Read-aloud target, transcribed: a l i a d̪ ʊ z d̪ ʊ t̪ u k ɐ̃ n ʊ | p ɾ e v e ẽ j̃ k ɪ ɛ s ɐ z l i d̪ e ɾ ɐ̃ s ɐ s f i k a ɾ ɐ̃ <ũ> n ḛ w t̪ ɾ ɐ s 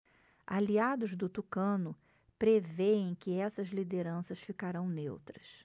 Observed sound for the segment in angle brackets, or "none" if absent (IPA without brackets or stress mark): w̃